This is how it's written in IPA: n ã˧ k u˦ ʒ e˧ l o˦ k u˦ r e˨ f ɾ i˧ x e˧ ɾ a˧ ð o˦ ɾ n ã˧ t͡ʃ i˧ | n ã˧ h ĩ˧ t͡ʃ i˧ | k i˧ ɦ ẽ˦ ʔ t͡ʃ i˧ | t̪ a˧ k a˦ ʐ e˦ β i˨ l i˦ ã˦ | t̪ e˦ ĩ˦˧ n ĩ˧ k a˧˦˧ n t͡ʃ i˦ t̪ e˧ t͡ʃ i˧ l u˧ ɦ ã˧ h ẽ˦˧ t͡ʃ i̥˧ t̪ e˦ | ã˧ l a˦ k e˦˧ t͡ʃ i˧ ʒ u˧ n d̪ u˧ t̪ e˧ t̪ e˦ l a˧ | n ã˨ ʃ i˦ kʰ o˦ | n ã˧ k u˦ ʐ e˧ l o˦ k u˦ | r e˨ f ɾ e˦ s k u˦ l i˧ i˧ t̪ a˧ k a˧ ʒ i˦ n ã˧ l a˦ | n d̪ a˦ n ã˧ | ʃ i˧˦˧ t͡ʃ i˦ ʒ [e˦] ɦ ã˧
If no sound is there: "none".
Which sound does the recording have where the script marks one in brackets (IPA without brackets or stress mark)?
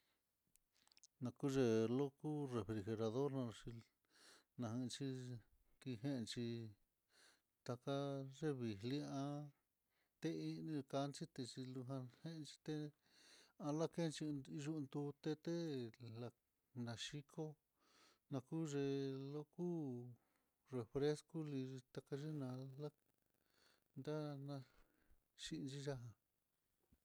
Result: a˦